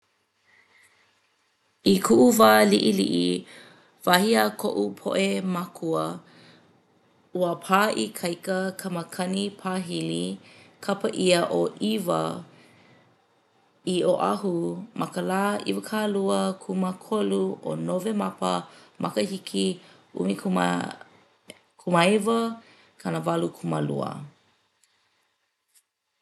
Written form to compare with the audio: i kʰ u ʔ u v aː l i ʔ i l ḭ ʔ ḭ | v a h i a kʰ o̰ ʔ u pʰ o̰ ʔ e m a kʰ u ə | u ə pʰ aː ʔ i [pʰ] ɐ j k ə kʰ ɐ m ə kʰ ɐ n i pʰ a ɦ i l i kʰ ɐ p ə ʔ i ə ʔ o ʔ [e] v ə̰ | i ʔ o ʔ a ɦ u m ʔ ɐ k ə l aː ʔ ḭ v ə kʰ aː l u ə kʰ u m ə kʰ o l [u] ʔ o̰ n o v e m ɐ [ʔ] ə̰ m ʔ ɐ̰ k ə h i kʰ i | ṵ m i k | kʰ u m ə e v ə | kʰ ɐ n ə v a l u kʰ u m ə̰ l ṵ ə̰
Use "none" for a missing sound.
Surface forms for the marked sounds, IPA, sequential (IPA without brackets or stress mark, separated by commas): kʰ, i, u, p